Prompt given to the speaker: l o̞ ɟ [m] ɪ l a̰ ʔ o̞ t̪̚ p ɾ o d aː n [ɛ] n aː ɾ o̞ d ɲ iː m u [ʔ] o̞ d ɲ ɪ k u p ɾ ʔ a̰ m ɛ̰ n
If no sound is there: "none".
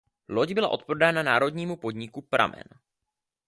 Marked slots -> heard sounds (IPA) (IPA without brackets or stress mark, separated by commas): b, a, p